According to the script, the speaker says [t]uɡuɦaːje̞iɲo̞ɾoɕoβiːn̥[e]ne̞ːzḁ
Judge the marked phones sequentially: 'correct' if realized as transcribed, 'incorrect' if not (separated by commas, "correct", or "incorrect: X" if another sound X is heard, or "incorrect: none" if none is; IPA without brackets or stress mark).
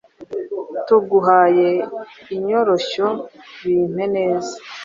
correct, correct